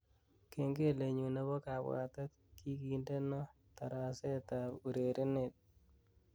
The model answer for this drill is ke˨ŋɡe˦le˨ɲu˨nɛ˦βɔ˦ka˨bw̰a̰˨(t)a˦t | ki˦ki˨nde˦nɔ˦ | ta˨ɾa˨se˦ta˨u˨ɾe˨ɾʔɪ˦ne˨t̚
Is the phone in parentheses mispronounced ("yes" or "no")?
no